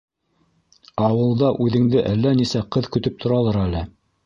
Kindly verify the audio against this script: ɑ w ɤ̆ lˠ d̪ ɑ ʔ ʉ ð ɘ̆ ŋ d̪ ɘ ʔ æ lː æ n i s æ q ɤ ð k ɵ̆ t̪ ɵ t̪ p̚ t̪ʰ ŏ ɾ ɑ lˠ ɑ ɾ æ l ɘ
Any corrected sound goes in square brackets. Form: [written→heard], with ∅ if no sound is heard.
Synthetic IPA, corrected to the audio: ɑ w ɤ̆ lˠ d̪ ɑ ʔ ʉ ð ɘ̆ ŋ d̪ ɘ ʔ æ lː æ n i s æ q ɤ ð k ɵ̆ t̪ ɵ [t̪→∅] p̚ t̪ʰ ŏ ɾ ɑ lˠ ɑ ɾ æ l ɘ